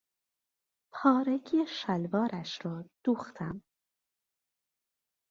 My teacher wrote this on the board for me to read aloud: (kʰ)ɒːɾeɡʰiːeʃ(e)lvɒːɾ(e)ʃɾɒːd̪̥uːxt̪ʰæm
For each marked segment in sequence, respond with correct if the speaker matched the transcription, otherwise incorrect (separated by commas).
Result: incorrect, incorrect, incorrect